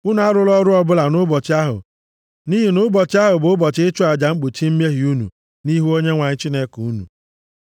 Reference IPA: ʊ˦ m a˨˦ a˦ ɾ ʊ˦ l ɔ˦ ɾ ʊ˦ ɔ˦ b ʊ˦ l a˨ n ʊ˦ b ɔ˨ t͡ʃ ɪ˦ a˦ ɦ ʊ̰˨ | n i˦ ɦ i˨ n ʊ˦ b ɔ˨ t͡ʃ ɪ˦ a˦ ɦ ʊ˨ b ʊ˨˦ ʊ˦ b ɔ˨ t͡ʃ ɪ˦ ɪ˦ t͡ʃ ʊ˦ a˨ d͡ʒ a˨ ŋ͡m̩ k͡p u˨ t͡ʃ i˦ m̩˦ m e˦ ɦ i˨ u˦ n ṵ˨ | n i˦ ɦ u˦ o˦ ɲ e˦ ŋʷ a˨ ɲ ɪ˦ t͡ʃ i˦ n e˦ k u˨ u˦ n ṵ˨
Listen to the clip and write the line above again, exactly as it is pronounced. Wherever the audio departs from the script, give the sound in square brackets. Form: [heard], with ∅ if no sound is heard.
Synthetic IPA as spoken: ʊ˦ [n] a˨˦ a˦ ɾ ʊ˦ l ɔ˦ ɾ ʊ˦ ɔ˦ b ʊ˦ l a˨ n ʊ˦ b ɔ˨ t͡ʃ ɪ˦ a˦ ɦ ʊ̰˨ | n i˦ ɦ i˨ n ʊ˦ b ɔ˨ t͡ʃ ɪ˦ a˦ ɦ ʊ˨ b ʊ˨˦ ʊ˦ b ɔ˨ t͡ʃ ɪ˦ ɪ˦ t͡ʃ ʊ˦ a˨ d͡ʒ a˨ ŋ͡m̩ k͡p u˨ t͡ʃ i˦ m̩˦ m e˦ ɦ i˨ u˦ n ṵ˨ | n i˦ ɦ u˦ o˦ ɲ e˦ ŋʷ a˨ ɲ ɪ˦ t͡ʃ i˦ n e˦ k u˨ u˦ n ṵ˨